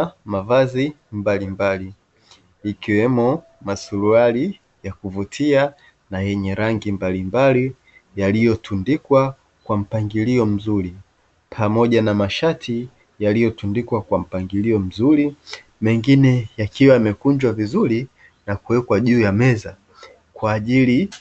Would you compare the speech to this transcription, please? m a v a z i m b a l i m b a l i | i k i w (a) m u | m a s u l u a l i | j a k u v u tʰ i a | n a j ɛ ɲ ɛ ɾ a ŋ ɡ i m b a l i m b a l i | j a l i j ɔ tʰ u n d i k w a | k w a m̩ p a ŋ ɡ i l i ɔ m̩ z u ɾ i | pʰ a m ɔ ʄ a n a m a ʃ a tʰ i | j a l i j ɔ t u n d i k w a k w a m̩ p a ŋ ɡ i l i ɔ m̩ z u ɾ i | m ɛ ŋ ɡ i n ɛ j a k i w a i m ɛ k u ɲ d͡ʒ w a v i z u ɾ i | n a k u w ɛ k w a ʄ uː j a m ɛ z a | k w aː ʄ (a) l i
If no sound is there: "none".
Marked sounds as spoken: ɛ, i

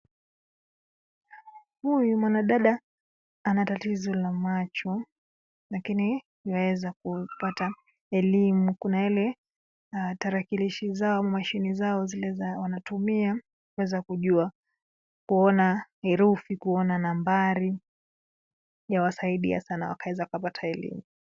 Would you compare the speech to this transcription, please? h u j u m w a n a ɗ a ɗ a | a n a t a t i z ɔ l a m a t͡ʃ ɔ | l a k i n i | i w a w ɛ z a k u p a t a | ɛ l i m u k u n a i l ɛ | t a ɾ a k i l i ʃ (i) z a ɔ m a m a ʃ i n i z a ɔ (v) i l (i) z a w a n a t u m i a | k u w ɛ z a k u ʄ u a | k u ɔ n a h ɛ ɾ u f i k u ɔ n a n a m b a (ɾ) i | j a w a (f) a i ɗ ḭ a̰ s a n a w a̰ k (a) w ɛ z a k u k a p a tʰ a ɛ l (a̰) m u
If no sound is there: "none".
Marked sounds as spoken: i, z, ɛ, ɾ, s, a, ḭ

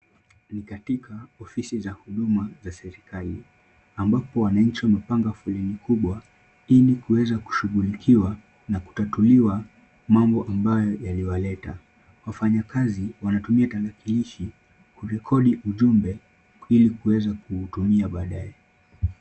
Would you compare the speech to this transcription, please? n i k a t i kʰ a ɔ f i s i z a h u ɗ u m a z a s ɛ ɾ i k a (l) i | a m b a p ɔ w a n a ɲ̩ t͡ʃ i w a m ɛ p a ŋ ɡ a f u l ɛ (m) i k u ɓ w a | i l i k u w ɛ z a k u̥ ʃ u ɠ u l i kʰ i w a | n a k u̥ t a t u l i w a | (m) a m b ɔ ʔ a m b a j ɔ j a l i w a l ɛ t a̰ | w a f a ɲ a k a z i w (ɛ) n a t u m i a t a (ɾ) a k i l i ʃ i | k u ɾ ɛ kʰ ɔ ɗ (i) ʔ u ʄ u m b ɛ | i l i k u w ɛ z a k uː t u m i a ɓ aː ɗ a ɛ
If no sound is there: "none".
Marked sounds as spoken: l, n, m, a, l, i

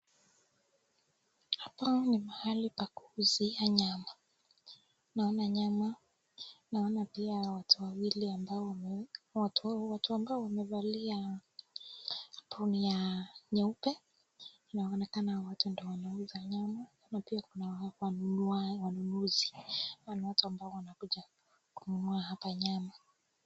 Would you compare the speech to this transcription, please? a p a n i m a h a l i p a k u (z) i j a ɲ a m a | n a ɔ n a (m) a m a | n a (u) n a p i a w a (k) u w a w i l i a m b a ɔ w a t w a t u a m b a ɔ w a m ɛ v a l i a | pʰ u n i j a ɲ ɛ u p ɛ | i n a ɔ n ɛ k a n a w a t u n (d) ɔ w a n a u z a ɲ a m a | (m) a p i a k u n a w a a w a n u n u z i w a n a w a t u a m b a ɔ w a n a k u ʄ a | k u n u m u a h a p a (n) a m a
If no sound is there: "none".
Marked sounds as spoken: z, ɲ, ɔ, t, d, n, ɲ

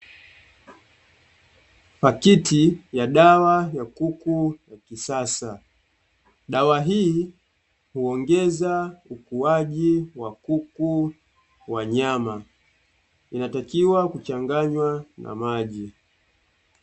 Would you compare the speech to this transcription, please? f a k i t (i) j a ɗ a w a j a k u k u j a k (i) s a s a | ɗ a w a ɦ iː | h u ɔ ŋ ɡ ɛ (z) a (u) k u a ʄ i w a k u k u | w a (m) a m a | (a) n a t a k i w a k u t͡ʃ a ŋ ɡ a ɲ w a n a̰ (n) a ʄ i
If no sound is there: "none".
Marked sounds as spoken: i, i, z, u, ɲ, i, m

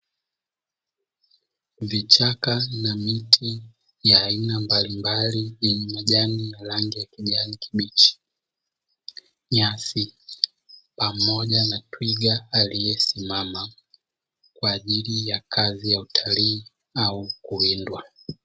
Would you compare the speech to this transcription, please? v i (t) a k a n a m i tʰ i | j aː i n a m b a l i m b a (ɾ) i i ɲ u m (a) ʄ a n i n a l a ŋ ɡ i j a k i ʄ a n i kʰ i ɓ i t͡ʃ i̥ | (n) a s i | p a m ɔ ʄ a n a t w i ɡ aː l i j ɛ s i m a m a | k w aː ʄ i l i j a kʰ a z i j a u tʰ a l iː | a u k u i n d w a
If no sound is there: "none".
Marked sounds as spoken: t͡ʃ, l, a, ɲ

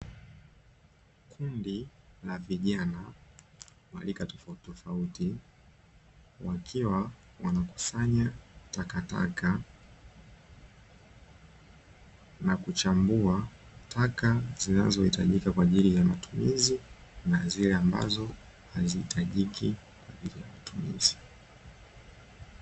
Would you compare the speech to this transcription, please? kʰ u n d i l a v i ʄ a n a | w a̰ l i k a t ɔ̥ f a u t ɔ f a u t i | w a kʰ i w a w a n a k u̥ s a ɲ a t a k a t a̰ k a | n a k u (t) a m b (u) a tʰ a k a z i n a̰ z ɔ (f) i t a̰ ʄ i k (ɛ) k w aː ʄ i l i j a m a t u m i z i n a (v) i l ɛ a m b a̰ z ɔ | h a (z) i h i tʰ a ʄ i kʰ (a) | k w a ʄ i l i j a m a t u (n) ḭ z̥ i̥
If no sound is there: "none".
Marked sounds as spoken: t͡ʃ, u, h, a, z, z, i, m

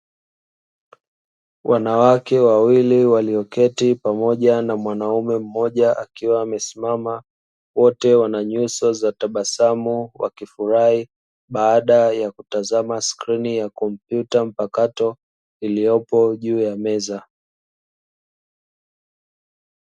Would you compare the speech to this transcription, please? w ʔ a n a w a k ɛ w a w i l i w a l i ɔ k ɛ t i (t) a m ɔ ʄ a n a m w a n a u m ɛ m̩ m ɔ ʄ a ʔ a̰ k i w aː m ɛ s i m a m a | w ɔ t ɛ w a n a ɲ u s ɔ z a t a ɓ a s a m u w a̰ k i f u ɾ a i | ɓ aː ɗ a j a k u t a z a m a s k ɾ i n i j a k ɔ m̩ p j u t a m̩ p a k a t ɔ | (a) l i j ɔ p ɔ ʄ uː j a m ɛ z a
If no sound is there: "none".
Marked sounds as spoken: p, i

